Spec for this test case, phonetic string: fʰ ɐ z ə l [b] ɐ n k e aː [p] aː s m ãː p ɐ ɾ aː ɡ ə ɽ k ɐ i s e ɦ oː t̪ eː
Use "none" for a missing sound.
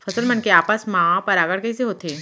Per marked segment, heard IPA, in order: m, p

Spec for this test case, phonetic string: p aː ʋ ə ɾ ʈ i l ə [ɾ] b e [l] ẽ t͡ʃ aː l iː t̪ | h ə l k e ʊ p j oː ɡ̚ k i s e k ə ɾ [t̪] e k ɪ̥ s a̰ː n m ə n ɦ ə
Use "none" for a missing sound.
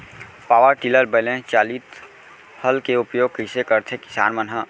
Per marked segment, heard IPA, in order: ɾ, l, t̪ʰ

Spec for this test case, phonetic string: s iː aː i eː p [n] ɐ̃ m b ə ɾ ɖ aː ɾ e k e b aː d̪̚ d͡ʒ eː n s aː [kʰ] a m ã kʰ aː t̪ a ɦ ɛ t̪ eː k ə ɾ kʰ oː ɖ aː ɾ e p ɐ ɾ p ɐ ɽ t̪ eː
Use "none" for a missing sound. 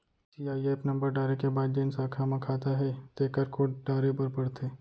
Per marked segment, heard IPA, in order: n, kʰ

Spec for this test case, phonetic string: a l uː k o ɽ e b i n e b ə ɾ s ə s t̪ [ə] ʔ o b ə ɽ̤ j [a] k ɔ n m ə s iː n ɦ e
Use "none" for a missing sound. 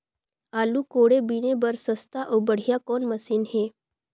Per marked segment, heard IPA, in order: a, a

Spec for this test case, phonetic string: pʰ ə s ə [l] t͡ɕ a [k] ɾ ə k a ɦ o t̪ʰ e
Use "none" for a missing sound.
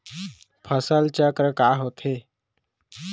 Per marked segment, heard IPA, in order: l, k

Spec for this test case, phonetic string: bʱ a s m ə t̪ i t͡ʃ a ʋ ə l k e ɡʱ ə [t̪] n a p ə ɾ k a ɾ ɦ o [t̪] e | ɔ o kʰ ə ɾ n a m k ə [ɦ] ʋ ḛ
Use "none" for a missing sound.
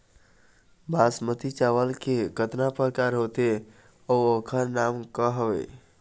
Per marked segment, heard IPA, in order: t̪, t̪, ɦ

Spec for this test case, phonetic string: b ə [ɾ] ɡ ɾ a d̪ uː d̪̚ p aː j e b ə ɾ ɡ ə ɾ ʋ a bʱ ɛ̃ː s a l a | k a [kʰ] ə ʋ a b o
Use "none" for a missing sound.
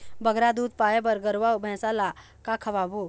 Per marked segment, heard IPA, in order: none, kʰ

